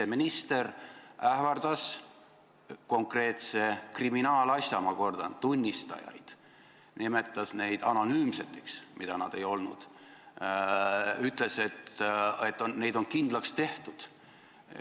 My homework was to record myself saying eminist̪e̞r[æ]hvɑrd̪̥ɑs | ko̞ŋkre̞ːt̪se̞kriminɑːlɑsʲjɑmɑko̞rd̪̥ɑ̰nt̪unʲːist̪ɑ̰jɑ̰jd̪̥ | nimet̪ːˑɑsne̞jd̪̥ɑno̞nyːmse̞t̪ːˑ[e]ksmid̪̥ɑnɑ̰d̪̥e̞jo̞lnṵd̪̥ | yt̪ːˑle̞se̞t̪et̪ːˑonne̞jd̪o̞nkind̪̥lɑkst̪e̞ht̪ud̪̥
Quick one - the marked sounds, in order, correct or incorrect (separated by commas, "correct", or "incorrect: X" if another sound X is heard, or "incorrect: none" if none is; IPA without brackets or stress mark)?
correct, correct